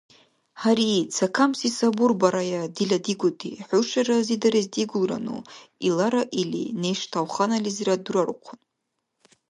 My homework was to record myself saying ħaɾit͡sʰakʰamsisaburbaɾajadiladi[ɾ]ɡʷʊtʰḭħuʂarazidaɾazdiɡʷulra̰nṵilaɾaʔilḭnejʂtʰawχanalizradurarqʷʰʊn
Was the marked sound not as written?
yes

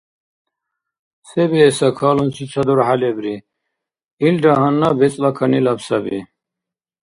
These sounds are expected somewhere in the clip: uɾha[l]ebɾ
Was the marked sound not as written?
no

